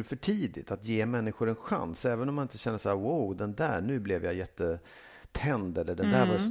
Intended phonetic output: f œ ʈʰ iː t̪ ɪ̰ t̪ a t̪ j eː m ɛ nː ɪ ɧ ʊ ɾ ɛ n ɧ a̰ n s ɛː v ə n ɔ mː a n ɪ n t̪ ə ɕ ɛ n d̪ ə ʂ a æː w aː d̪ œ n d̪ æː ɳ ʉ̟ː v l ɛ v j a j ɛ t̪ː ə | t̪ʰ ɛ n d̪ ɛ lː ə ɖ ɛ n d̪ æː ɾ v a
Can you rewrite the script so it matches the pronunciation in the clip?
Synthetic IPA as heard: f œ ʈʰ iː d̪ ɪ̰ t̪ a t̪ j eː m ɛ nː ɪ ɧ ʊ ɾ ɛ n ɧ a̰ n s ɛː v ə n ɔ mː a n ɪ n t̪ ə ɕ ɛ n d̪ ə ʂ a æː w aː d̪ ɛ n d̪ æː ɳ ʉ̟ː b l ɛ v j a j ɛ t̪ː ə | t̪ʰ ɛ n d̪ ɛ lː ə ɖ ɛ n d̪ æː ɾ v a